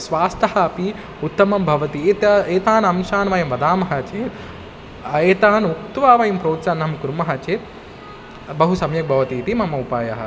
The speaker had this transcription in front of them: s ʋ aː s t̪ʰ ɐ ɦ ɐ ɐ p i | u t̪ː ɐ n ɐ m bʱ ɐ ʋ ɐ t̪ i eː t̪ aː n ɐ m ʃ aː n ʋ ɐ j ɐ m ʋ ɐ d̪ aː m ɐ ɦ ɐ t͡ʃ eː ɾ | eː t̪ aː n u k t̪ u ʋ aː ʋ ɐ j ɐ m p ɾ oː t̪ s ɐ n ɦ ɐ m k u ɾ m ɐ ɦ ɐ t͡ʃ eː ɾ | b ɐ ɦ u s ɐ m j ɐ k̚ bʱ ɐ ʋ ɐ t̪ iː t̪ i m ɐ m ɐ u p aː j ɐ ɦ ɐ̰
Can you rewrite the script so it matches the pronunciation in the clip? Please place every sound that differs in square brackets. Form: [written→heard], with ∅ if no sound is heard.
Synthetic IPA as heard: s ʋ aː s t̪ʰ ɐ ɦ ɐ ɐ p i | u t̪ː ɐ [n→m] ɐ m bʱ ɐ ʋ ɐ t̪ i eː t̪ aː n ɐ m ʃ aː n ʋ ɐ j ɐ m ʋ ɐ d̪ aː m ɐ ɦ ɐ t͡ʃ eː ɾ | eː t̪ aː n u k t̪ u ʋ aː ʋ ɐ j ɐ m p ɾ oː t̪ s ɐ n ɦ ɐ m k u ɾ m ɐ ɦ ɐ t͡ʃ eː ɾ | b ɐ ɦ u s ɐ m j ɐ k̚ bʱ ɐ ʋ ɐ t̪ iː t̪ i m ɐ m ɐ u p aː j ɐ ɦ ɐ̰